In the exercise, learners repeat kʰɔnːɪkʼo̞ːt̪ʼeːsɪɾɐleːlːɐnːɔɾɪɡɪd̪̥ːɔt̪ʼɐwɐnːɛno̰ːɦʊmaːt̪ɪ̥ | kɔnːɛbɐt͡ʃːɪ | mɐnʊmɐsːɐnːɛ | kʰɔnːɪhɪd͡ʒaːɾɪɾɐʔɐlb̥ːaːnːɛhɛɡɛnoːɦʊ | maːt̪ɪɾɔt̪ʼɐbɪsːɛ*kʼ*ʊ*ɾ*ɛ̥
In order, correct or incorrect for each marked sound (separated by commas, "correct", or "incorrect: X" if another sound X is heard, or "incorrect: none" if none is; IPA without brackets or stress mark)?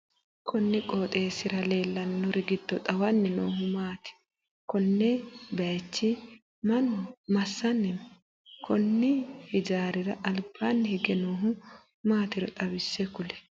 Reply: incorrect: k, incorrect: l